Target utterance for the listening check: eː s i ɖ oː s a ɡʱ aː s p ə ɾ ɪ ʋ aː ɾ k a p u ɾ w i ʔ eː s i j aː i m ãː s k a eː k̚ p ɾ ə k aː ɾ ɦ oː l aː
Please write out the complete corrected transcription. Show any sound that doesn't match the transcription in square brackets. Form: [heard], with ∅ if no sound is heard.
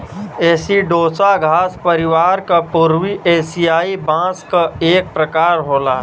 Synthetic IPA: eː s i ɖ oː s a ɡʱ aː s p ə ɾ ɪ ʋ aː ɾ k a p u ɾ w i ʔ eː s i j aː i [b] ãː s k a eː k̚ p ɾ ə k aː ɾ ɦ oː l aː